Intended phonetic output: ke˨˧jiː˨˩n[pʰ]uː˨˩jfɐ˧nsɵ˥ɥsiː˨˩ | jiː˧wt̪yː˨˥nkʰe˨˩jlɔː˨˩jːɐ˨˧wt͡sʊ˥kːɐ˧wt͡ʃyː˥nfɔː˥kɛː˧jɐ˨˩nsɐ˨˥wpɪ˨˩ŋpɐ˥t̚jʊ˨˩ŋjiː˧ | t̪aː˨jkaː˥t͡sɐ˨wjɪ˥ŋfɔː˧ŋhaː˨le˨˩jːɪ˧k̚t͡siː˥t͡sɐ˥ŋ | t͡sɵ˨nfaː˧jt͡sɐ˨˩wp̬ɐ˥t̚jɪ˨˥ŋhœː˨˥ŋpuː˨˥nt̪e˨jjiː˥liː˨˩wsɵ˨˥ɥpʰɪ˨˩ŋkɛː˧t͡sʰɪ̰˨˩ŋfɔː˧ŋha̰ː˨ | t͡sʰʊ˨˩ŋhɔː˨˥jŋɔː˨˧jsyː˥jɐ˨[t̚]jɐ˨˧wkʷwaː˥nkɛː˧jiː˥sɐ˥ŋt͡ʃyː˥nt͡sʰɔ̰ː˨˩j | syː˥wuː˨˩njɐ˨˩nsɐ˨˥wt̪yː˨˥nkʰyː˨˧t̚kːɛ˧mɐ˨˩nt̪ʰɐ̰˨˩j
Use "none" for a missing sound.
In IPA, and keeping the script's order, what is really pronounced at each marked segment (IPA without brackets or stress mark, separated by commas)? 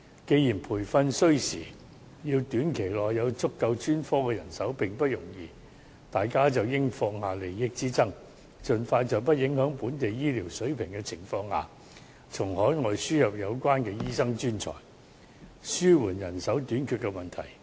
pʰ, p̚